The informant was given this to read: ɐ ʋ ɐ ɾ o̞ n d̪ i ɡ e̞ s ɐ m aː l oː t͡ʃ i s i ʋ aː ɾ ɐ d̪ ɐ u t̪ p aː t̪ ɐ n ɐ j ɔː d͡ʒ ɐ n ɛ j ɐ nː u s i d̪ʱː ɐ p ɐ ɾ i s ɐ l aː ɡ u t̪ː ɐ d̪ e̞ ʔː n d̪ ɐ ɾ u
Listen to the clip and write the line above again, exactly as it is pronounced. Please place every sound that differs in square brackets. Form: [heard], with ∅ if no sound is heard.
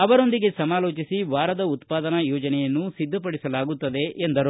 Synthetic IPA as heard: ɐ ʋ ɐ ɾ o̞ n d̪ i ɡ e̞ s ɐ m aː l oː t͡ʃ i s i ʋ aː ɾ ɐ d̪ ɐ u t̪ p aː [d̪] ɐ n ɐ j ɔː d͡ʒ ɐ n ɛ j ɐ nː u s i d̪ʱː ɐ p ɐ [ɽ] i s ɐ l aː ɡ u t̪ː ɐ d̪ e̞ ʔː n d̪ ɐ ɾ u